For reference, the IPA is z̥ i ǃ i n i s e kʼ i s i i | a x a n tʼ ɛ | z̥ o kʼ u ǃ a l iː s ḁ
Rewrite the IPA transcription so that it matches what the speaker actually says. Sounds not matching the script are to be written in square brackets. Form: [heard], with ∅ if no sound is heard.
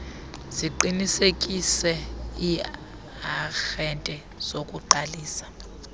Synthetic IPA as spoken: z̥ i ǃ i n i s e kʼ i s [ɛ] i | a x [ɛ] n tʼ ɛ | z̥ o kʼ u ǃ a l iː s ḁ